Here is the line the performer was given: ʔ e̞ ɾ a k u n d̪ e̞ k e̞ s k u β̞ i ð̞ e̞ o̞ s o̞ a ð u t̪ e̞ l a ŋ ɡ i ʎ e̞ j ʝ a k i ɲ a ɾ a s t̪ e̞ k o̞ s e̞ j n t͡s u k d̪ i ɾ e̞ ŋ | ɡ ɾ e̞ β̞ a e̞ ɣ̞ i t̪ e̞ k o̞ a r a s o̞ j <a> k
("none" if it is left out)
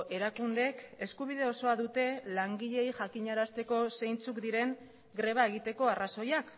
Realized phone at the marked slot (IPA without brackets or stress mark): a